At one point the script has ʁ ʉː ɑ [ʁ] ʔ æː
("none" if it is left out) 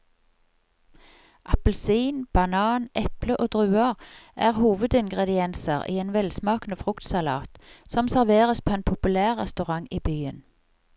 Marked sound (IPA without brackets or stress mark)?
ʁ